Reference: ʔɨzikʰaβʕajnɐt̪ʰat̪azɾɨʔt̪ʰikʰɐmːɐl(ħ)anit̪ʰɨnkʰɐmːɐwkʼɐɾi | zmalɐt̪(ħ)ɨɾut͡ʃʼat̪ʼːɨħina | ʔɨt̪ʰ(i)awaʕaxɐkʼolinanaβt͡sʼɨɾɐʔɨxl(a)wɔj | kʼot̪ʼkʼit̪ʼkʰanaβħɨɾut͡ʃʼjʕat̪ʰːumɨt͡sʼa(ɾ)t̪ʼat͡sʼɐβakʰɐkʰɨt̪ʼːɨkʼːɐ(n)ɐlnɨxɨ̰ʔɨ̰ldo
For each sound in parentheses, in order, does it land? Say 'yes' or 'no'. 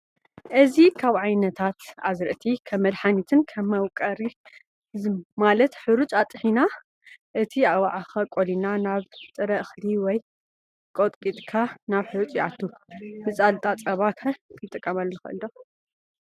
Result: yes, yes, yes, no, no, no

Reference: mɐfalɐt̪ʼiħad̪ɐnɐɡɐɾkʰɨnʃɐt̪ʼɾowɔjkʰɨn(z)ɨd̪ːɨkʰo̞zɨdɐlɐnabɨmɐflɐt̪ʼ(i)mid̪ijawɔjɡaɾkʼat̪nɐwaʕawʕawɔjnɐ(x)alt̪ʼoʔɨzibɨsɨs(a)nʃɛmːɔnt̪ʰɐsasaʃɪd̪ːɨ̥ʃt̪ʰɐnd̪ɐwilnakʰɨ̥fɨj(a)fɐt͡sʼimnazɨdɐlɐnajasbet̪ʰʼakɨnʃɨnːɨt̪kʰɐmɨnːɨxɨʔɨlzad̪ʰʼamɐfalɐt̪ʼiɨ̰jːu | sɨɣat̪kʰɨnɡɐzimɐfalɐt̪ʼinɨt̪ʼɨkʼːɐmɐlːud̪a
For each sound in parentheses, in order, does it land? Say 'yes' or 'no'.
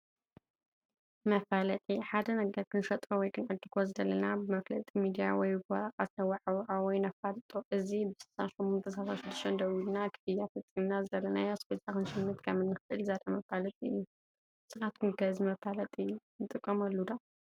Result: no, yes, no, yes, yes

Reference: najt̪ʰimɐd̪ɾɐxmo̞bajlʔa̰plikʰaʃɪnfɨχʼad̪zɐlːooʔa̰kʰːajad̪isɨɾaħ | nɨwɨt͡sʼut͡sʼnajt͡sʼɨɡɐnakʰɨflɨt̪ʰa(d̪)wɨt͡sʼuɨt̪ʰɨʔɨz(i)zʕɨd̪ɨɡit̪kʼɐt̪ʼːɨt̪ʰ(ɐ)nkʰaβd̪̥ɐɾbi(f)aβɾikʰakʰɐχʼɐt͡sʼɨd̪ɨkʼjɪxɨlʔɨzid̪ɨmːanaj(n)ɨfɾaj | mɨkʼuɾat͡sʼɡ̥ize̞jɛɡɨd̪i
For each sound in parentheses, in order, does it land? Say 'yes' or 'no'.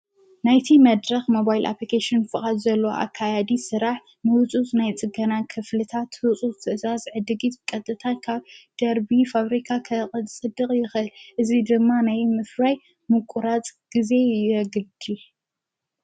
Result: no, no, no, yes, no

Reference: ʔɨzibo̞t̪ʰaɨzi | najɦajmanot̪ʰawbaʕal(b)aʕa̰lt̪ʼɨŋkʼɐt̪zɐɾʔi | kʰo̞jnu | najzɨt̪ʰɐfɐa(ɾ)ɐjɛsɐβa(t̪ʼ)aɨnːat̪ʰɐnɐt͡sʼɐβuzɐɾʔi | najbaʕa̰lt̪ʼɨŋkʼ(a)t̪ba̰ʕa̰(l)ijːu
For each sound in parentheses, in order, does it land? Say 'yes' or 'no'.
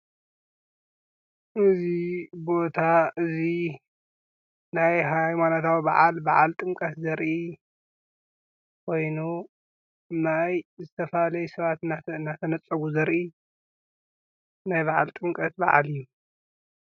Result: yes, no, no, no, yes

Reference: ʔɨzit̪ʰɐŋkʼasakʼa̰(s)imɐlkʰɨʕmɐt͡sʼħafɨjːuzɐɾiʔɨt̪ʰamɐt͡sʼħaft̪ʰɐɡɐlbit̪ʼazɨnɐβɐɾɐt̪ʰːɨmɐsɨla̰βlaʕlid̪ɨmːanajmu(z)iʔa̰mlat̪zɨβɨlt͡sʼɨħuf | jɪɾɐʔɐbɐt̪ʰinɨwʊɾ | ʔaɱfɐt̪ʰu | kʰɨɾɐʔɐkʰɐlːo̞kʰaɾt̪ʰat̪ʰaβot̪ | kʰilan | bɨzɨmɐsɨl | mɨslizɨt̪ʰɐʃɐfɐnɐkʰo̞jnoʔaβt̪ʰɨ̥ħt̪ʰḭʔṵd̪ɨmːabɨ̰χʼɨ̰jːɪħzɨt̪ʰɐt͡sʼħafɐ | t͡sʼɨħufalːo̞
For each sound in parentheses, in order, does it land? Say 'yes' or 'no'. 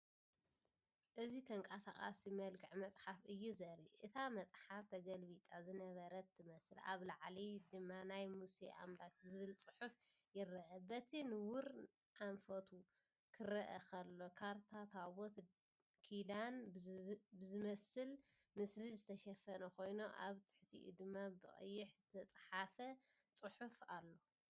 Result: yes, no

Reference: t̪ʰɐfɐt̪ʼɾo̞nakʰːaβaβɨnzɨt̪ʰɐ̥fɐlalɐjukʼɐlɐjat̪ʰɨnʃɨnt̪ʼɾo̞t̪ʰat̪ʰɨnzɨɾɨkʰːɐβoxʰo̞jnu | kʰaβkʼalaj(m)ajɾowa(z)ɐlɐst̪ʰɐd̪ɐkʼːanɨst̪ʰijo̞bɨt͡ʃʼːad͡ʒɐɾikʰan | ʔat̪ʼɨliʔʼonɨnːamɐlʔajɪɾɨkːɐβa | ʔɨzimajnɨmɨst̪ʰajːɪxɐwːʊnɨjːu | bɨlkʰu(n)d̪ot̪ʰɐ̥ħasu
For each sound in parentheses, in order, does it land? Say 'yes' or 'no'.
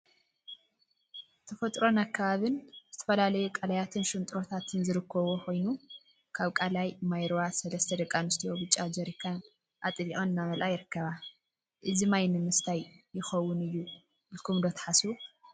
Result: yes, no, no

